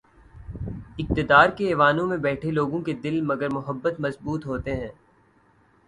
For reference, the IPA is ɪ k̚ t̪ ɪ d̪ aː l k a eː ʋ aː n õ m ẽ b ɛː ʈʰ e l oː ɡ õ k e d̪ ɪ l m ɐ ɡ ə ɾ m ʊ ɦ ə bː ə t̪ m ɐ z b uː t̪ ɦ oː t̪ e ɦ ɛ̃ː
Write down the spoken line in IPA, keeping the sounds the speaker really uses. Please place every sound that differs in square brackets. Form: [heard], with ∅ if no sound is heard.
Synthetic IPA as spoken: ɪ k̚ t̪ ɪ d̪ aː [ɾ] k [e] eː ʋ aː n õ m ẽ b ɛː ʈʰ e l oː ɡ õ k e d̪ ɪ l m ɐ ɡ ə ɾ m ʊ ɦ ə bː ə t̪ m ɐ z b uː t̪ ɦ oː t̪ e ɦ ɛ̃ː

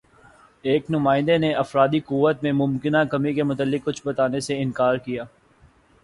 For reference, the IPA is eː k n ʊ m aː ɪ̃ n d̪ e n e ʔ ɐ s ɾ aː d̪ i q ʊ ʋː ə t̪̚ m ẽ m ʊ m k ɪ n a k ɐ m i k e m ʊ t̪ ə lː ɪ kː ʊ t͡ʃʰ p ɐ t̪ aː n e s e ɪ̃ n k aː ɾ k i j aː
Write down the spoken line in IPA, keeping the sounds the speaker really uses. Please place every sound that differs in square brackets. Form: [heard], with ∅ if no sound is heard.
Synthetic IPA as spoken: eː k n ʊ m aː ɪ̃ n d̪ e n e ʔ ɐ [f] ɾ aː d̪ i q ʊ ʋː ə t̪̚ m ẽ m ʊ m k ɪ n a k ɐ m i k e m ʊ t̪ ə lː ɪ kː ʊ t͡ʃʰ [b] ɐ t̪ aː n e s e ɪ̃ n k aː ɾ k i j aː

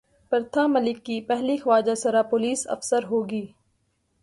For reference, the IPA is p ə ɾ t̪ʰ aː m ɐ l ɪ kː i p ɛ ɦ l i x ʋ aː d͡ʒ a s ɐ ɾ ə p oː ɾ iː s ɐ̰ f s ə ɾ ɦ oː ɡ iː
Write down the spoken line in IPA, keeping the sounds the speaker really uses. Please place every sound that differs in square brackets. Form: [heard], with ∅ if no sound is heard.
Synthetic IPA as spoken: p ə ɾ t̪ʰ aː m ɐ l ɪ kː i p ɛ ɦ l i x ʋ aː d͡ʒ a s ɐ ɾ [a] p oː [l] iː s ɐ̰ f s ə ɾ ɦ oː ɡ iː

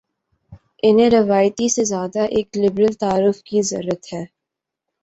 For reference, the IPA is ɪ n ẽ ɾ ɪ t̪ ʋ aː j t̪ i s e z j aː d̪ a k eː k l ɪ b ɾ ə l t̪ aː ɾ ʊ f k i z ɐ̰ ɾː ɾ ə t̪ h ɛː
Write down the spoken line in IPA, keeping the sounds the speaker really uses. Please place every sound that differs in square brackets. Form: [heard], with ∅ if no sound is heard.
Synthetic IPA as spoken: ɪ n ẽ ɾ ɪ [∅] ʋ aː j t̪ i s e z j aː d̪ a [ʔ] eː k l ɪ b ɾ ə l t̪ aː ɾ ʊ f k i z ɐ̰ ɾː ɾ ə t̪ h ɛː

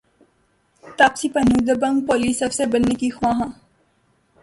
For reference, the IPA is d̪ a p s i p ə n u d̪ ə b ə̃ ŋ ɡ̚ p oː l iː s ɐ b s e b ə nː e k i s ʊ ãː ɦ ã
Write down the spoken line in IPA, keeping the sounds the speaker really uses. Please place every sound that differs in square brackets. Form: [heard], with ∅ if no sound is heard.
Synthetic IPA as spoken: [t̪] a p s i p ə n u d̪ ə b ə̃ ŋ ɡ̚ p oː l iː s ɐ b s e b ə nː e k i [x] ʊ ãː ɦ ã

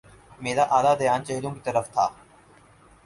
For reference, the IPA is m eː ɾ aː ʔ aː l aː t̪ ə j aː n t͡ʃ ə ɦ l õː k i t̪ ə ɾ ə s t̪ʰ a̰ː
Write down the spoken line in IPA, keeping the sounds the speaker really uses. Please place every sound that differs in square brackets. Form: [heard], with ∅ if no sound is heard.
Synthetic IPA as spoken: m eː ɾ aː ʔ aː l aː [d̪] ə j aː n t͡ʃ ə ɦ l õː k i t̪ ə ɾ ə [f] t̪ʰ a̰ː

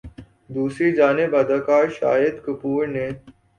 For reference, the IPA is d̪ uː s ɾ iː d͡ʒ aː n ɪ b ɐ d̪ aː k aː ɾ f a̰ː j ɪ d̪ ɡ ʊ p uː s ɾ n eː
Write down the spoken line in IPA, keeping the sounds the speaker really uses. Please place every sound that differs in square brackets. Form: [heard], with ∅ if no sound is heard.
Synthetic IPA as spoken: d̪ uː s ɾ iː d͡ʒ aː n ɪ b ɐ d̪ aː k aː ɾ [ʃ] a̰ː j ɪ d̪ [k] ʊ p uː [∅] ɾ n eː

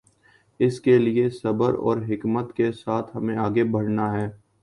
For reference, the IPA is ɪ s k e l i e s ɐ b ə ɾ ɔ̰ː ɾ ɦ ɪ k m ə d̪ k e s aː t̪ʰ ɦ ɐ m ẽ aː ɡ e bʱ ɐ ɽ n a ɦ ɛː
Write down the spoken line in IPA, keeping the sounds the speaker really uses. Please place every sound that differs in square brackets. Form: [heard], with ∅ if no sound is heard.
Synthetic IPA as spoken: ɪ s k e l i e s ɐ b ə ɾ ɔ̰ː ɾ ɦ ɪ k m ə [t̪] k e s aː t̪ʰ ɦ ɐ m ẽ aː ɡ e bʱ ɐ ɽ n a ɦ ɛː

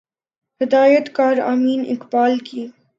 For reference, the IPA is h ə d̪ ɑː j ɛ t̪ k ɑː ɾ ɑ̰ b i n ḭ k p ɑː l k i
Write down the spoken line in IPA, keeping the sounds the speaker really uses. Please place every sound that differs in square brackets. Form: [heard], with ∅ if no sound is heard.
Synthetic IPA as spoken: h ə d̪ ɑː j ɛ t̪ k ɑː ɾ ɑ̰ [m] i n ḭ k p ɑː l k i

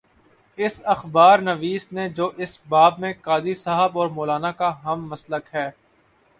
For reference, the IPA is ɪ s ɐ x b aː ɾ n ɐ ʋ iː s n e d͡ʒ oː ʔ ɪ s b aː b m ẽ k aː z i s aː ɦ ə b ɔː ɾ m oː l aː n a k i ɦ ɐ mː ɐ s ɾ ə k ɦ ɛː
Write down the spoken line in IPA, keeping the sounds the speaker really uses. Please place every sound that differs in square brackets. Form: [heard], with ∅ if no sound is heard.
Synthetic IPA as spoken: ɪ s ɐ x b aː ɾ n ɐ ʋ iː s n e d͡ʒ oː ʔ ɪ s b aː b m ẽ k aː z i s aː ɦ ə b ɔː ɾ m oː l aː n a k [a] ɦ ɐ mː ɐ s [l] ə k ɦ ɛː

